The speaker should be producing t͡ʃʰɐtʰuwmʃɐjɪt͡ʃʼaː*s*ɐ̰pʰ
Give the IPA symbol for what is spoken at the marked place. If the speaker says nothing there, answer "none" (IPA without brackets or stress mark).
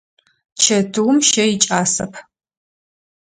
s